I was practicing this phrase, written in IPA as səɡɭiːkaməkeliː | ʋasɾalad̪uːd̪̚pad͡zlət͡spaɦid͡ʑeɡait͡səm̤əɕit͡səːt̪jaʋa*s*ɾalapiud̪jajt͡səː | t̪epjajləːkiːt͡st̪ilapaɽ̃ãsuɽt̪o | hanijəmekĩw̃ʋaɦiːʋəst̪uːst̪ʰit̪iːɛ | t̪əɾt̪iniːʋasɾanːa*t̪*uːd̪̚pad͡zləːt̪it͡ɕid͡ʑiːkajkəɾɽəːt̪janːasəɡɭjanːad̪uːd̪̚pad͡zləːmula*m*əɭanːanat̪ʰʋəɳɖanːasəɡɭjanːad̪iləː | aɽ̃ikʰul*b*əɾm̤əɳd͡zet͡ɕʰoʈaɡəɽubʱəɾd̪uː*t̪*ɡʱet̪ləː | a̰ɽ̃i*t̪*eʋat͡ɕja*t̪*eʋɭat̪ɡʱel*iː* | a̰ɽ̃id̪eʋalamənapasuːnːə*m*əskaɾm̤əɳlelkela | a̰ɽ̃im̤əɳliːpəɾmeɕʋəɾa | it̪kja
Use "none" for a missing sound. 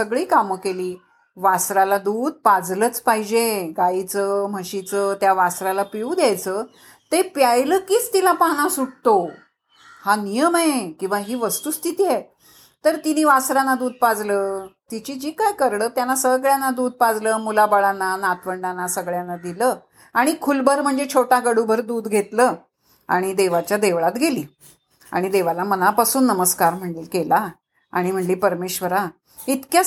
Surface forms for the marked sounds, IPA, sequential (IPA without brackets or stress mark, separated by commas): s, d̪, b, b, d̪, d̪, d̪, iː, m